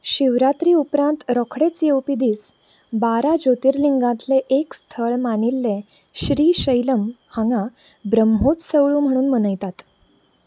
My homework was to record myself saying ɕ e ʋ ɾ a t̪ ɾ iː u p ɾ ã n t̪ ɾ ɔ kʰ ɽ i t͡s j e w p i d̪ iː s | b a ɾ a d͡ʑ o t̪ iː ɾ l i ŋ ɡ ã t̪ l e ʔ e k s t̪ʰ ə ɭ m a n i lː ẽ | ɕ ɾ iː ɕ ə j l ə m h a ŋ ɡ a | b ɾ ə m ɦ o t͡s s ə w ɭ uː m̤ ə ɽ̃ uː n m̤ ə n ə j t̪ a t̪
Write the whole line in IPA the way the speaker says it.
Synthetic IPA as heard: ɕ i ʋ ɾ a t̪ ɾ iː u p ɾ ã n t̪ ɾ ɔ kʰ ɽ e t͡s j e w p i d̪ iː s | b a ɾ a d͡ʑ o t̪ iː ɾ l i ŋ ɡ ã t̪ l e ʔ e k s t̪ʰ ə ɭ m a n i lː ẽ | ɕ ɾ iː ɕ ə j l ə m h a ŋ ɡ a | b ɾ ə m ɦ o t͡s s ə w ɭ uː m̤ ə ɽ̃ uː n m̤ ə n ə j t̪ a t̪

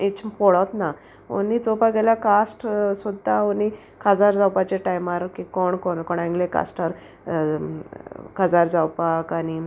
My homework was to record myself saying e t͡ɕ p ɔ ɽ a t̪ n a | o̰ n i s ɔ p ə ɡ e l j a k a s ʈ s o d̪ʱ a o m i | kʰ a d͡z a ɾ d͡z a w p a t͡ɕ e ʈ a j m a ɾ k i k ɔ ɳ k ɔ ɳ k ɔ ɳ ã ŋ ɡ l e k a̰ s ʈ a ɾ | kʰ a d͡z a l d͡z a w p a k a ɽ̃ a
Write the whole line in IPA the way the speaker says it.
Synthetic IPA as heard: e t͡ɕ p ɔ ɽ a t̪ n a | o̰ n i t͡s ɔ p a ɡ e l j a k a s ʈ s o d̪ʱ a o n i | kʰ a d͡z a ɾ d͡z a w p a t͡ɕ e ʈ a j m a ɾ k i k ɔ ɳ k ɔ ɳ k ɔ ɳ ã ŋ ɡ l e k a̰ s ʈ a ɾ | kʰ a d͡z a ɾ d͡z a w p a k a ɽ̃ i

